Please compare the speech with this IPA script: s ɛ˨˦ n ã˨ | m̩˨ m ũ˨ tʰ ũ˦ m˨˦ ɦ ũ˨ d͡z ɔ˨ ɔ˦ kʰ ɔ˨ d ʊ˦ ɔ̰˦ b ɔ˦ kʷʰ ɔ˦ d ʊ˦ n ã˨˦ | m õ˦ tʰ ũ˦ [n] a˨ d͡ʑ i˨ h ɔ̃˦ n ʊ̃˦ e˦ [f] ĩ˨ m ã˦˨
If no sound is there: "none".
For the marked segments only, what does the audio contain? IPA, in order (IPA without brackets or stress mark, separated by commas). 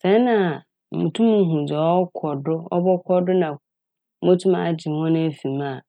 m, f